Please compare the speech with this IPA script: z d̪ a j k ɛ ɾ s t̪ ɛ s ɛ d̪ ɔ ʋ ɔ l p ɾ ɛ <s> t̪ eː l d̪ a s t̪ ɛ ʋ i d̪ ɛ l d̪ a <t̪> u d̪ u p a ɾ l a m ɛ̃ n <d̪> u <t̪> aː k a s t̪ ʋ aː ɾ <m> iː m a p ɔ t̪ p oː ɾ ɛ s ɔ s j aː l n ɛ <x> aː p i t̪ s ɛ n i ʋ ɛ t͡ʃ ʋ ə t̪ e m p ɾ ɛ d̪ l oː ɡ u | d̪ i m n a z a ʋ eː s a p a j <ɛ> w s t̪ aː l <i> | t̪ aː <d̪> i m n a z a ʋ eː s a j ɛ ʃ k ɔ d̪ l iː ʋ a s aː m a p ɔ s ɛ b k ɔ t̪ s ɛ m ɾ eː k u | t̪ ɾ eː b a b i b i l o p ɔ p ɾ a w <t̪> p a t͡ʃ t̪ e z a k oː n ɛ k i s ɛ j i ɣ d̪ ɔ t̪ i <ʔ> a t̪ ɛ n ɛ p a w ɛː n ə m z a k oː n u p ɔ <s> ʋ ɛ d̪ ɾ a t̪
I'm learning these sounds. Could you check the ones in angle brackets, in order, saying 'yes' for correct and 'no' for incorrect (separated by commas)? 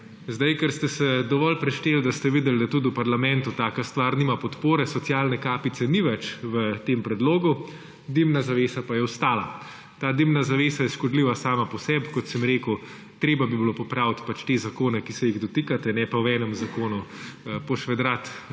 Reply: no, yes, no, yes, no, no, yes, no, yes, yes, no, no